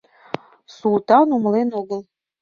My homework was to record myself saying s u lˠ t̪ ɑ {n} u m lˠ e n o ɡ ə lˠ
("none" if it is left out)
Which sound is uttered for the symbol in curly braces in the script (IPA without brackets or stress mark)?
n